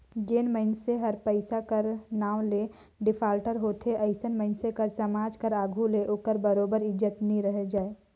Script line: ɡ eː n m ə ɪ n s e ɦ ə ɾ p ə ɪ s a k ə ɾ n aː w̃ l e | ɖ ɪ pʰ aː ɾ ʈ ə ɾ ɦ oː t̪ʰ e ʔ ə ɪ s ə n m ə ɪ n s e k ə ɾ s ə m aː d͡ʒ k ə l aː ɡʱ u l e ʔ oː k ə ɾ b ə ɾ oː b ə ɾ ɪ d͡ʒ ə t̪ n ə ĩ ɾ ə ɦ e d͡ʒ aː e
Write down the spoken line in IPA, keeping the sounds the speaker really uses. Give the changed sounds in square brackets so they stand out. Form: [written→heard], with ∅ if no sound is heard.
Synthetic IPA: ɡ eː n m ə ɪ n s e ɦ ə ɾ p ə ɪ s a k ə ɾ n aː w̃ l e | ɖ ɪ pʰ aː [ɾ→l] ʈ ə ɾ ɦ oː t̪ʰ e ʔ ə ɪ s ə n m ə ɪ n s e k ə ɾ s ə m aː d͡ʒ k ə [l→ɾ] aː ɡʱ u l e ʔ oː k ə ɾ b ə ɾ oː b ə ɾ ɪ d͡ʒ ə t̪ n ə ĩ ɾ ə ɦ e d͡ʒ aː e